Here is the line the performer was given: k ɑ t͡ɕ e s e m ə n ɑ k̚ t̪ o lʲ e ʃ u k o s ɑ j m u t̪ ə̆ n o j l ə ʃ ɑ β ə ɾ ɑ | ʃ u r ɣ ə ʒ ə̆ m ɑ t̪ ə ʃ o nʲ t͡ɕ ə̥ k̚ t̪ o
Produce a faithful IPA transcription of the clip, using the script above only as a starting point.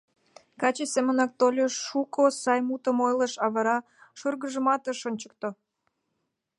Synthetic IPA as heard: k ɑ t͡ɕ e s e m ə n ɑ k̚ t̪ o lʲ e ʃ u k o s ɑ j m u t̪ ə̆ m o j l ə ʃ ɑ β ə ɾ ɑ | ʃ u r ɣ ə ʒ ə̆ m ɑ t̪ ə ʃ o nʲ t͡ɕ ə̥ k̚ t̪ o